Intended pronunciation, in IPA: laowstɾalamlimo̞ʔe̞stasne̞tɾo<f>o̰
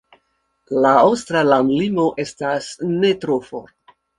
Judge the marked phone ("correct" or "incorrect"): correct